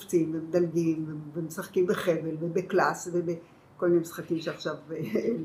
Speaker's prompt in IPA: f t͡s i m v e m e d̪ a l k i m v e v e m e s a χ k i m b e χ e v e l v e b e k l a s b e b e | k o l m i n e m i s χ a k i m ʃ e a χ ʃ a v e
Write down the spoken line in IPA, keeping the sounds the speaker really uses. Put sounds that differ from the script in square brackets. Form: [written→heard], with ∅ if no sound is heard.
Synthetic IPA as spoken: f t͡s i m v e m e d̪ a l [k→ɡ] i m v e v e m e s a χ k i m b e χ e v e l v e b e k l a s [b→v] e b e | k o l m i n e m i s χ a k i m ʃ e a χ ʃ a v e